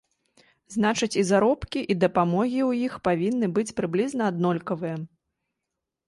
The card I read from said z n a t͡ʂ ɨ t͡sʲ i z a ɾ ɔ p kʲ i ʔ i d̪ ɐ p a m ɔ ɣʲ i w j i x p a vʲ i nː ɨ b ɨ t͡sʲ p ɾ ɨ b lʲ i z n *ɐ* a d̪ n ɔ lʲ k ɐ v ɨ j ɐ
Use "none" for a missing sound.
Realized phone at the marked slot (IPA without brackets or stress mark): ɐ